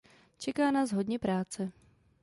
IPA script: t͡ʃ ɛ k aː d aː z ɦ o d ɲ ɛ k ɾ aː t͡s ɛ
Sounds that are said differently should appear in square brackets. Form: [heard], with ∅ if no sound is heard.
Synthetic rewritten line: t͡ʃ ɛ k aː [n] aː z ɦ o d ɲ ɛ [p] ɾ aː t͡s ɛ